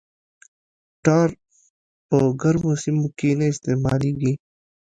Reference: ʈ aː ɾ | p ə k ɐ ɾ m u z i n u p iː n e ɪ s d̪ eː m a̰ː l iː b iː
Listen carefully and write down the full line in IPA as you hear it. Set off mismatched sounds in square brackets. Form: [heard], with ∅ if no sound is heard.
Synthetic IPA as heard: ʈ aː ɾ | p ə [ɡ] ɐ ɾ m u [s] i [m] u [k] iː n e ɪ s [t̪] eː m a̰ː l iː [ɡ] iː